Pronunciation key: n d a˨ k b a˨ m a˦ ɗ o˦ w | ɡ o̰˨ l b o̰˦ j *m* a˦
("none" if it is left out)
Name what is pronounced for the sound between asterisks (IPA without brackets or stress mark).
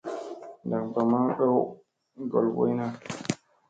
n